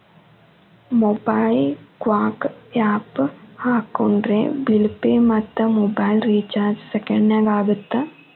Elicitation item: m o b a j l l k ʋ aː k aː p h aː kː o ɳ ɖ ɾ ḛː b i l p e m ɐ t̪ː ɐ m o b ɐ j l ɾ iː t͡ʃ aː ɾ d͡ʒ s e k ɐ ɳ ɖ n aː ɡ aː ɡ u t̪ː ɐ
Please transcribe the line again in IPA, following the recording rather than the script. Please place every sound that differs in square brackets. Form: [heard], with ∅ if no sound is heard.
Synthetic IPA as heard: m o b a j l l k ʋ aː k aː p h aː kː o ɳ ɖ ɾ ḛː b i l p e m ɐ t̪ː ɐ m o b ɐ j l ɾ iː t͡ʃ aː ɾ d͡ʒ s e k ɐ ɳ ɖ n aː ɡ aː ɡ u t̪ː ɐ